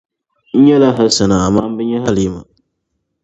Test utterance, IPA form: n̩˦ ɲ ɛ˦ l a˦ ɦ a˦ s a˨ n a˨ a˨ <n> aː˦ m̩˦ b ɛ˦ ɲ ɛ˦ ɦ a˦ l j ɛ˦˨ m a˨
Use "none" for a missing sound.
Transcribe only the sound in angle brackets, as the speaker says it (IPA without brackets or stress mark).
m